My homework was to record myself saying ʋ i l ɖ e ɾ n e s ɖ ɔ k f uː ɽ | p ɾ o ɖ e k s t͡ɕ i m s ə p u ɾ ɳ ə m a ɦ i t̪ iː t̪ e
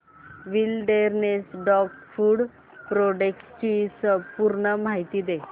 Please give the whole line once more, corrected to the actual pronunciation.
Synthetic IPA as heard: ʋ i l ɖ e ɾ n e s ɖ ɔ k f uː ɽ | p ɾ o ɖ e k s t͡ɕ i s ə p u ɾ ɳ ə m a ɦ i t̪ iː d̪ e